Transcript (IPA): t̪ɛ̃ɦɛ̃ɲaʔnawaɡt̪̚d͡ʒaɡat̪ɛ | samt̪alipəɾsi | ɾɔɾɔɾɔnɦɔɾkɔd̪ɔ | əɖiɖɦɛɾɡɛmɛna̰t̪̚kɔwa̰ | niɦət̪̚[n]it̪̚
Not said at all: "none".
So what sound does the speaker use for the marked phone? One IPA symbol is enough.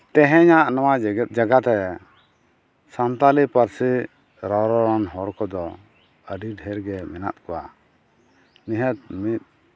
m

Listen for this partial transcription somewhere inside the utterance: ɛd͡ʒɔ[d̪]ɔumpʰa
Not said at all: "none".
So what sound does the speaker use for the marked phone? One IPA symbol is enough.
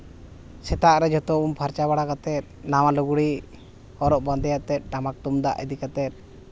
t̪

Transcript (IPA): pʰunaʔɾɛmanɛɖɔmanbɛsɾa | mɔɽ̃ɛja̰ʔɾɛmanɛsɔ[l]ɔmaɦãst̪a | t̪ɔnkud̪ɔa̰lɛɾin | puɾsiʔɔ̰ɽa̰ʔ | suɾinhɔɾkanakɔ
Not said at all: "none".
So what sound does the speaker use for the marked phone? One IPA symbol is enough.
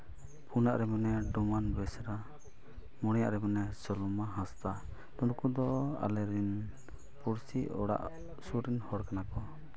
l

